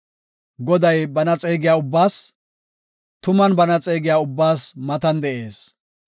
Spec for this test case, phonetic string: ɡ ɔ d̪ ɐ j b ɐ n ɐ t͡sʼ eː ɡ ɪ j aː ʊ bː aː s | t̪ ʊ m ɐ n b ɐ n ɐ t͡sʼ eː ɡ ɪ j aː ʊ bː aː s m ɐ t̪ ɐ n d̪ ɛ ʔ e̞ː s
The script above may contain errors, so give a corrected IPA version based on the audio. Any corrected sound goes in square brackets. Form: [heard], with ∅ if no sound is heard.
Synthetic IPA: ɡ ɔ d̪ ɐ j b ɐ n ɐ t͡sʼ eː ɡ ɪ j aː ʊ bː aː s | t̪ ʊ m ɐ n b ɐ n ɐ t͡sʼ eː ɡ ɪ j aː ʊ bː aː s m ɐ t̪ ɐ n d̪ ɛ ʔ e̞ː s

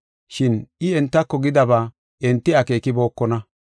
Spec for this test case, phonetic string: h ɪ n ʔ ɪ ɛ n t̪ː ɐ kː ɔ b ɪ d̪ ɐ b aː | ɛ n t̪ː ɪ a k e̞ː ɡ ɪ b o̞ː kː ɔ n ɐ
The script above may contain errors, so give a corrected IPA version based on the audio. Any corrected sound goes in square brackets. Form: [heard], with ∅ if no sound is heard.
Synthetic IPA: [ʃ] ɪ n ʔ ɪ ɛ n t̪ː ɐ kː ɔ [ɡ] ɪ d̪ ɐ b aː | ɛ n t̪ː ɪ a k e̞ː [k] ɪ b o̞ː kː ɔ n ɐ

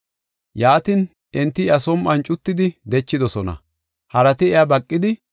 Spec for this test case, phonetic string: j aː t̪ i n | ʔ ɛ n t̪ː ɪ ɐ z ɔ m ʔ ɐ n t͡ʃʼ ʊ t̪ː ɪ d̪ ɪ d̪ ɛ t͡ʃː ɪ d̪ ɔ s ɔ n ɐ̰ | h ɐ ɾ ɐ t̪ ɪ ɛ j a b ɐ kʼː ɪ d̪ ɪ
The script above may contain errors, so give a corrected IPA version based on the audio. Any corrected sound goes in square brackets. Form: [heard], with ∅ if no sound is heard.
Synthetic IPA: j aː t̪ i n | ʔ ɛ n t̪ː ɪ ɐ [s] ɔ m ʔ ɐ n t͡ʃʼ ʊ t̪ː ɪ d̪ ɪ d̪ ɛ t͡ʃː ɪ d̪ ɔ s ɔ n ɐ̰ | h ɐ ɾ ɐ t̪ ɪ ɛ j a b ɐ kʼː ɪ d̪ ɪ

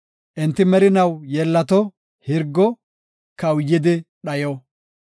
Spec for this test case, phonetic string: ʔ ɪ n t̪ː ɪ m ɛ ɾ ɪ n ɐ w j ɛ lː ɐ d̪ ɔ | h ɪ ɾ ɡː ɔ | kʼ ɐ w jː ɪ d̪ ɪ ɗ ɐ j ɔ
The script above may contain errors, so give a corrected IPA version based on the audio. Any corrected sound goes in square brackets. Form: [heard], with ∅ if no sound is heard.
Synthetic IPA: ʔ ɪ n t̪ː ɪ m ɛ ɾ ɪ n ɐ w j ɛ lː ɐ [t̪] ɔ | h ɪ ɾ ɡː ɔ | [k] ɐ w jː ɪ d̪ ɪ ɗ ɐ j ɔ

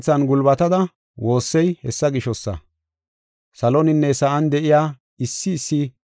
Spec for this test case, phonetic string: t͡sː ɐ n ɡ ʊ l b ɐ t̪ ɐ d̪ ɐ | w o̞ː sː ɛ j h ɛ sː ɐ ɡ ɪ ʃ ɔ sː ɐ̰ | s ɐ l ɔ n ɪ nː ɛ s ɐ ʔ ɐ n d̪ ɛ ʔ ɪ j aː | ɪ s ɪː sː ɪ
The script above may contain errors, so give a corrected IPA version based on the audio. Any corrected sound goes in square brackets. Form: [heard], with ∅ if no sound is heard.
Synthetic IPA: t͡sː ɐ n ɡ ʊ l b ɐ t̪ ɐ d̪ ɐ | w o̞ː sː ɛ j h ɛ sː ɐ ɡ ɪ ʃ ɔ sː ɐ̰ | s ɐ l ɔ n ɪ nː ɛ s ɐ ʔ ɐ n d̪ ɛ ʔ ɪ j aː | ɪ [sː] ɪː sː ɪ

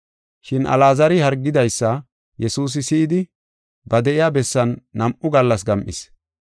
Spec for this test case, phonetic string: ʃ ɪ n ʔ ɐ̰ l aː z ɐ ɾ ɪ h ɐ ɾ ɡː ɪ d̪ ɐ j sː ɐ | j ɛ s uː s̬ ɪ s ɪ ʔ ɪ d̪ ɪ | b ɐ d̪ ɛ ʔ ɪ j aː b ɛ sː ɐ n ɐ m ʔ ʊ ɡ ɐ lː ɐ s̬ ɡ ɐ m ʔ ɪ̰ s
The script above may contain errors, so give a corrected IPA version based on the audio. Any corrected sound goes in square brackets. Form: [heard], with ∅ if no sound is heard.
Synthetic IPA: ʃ ɪ n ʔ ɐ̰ l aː z ɐ ɾ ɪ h ɐ ɾ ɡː ɪ d̪ ɐ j sː ɐ | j ɛ s uː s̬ ɪ s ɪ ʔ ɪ d̪ ɪ | b ɐ d̪ ɛ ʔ ɪ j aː b ɛ sː ɐ [nː] ɐ m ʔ ʊ ɡ ɐ lː ɐ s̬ ɡ ɐ m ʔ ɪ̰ s

